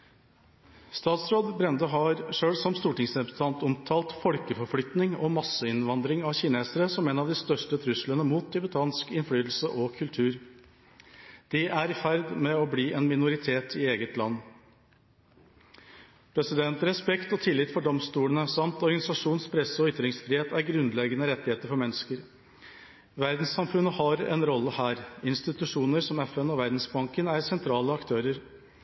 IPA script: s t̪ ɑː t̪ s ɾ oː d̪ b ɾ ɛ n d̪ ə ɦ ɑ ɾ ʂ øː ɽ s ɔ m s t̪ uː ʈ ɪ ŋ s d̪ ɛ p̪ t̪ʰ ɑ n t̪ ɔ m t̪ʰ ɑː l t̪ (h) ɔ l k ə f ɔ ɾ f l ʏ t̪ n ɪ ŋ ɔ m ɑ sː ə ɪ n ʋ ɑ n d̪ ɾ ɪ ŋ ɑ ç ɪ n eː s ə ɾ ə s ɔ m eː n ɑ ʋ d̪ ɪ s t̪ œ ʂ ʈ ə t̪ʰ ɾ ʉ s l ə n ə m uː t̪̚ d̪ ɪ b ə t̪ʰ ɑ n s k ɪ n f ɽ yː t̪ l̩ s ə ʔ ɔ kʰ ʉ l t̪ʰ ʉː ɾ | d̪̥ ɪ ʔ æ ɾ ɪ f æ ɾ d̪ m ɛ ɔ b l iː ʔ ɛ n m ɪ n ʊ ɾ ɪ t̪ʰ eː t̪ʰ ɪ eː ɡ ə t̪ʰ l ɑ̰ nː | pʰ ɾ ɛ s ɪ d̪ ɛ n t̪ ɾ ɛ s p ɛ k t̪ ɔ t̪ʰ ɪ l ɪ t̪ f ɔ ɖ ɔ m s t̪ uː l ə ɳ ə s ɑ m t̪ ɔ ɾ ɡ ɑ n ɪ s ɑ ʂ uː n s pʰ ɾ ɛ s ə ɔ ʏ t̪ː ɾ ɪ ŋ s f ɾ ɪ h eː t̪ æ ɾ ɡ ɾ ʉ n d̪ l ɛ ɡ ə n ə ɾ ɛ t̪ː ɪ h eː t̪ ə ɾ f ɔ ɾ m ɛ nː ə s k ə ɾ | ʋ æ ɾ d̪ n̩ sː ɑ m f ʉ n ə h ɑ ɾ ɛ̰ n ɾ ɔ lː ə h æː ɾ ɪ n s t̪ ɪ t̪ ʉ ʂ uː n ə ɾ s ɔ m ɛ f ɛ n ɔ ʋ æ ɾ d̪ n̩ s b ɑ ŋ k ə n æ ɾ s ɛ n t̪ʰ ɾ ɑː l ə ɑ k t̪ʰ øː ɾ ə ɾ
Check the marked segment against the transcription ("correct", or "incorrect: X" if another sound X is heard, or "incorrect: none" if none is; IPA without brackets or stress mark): incorrect: f